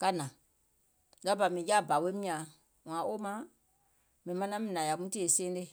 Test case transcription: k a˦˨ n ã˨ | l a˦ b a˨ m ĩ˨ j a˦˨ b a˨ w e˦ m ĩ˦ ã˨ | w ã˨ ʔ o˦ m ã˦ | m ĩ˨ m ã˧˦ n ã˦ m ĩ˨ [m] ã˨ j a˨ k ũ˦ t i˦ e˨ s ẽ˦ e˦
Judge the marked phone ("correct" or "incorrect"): incorrect